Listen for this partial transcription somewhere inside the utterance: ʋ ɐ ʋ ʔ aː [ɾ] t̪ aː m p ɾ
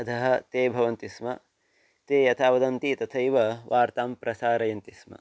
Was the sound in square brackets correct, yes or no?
yes